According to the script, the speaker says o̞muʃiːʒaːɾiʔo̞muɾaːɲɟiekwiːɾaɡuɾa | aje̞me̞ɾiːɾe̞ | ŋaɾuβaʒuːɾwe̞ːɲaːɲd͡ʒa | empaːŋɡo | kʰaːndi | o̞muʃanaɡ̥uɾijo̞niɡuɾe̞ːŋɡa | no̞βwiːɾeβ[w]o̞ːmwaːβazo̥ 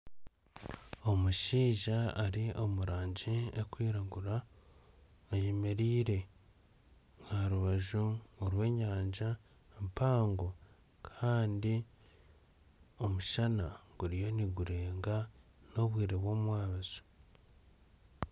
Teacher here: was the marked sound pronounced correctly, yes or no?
yes